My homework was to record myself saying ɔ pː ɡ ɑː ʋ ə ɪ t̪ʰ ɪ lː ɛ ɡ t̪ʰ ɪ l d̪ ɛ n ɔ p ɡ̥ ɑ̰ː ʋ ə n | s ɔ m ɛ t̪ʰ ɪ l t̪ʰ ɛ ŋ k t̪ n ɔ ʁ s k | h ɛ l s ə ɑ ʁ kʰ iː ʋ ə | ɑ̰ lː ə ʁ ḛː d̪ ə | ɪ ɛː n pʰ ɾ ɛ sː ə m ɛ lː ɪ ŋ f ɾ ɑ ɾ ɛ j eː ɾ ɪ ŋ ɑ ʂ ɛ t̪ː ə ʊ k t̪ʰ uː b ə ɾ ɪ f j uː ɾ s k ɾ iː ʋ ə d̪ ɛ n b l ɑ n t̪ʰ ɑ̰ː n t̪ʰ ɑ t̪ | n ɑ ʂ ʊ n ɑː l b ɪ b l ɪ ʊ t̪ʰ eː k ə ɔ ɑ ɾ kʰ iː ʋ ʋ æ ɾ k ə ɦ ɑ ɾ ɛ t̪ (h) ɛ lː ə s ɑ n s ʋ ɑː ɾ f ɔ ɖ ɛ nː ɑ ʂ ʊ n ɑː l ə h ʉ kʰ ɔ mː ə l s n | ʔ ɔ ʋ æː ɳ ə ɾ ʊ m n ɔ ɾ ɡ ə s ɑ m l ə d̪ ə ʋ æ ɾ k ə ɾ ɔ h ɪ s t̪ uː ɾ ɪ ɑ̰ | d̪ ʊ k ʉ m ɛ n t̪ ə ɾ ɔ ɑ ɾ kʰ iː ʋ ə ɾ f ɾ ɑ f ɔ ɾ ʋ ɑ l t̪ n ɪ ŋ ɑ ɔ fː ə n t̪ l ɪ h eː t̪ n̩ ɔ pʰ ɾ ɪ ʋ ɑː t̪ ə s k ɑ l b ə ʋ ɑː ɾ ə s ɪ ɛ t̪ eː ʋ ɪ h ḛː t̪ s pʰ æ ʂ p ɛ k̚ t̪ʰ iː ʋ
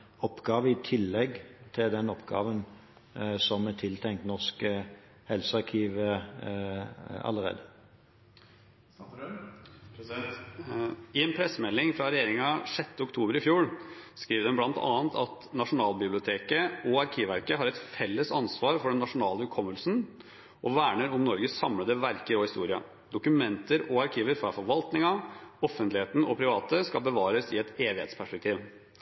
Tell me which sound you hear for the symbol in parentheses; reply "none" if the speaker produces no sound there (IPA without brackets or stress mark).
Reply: f